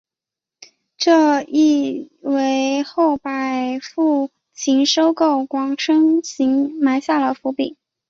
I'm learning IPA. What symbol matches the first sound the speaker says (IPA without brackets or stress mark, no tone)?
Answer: ʈ͡ʂ